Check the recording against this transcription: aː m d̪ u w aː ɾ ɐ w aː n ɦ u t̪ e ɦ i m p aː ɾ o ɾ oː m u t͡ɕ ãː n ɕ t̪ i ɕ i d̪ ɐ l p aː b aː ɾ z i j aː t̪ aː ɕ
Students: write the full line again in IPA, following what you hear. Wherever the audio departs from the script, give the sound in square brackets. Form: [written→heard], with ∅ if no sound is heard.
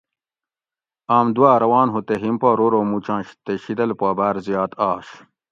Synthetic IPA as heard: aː m d̪ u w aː ɾ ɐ w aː n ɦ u t̪ e ɦ i m p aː ɾ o ɾ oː m u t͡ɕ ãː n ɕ t̪ [i→e] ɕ i d̪ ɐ l p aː b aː ɾ z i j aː t̪ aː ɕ